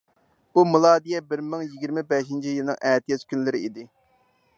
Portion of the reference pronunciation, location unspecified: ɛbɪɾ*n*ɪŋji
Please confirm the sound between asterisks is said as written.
no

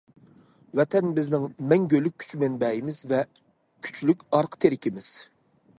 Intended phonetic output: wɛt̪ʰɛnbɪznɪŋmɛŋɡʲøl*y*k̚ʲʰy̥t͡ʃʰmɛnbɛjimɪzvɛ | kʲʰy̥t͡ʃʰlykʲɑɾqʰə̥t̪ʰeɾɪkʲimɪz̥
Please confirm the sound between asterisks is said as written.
yes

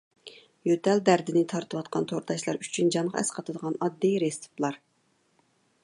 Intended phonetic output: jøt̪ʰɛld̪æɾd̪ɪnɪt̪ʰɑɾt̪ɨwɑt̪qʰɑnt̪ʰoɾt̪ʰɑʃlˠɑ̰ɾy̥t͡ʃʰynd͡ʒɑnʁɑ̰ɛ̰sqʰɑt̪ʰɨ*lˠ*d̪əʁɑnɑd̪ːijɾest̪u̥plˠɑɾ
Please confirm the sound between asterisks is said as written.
no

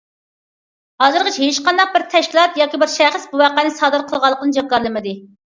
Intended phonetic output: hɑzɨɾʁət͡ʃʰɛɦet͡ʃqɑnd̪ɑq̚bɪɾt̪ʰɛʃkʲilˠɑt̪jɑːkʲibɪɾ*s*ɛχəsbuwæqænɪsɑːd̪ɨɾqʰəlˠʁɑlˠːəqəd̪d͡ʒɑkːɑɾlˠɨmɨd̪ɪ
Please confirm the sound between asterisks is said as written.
no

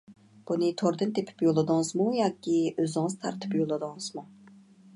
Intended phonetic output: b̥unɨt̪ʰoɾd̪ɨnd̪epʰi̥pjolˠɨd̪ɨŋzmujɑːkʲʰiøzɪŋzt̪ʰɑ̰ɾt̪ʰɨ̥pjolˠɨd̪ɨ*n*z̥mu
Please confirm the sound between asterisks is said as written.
no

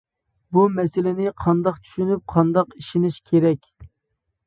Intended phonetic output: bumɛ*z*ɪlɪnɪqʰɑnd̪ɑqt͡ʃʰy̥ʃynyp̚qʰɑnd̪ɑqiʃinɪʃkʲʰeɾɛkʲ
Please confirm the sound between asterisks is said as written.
no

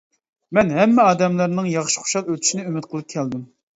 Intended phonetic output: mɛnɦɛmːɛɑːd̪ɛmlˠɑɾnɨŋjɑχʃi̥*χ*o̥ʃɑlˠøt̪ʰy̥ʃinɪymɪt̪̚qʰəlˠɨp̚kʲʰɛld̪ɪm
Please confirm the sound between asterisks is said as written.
yes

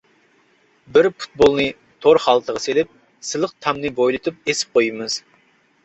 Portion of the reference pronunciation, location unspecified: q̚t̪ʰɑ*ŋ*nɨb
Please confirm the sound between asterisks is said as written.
no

